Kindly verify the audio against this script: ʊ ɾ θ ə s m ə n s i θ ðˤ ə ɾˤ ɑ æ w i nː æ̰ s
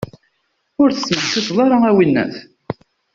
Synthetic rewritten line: ʊ ɾ θ ə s m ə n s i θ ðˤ ɑ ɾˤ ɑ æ w i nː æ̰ θ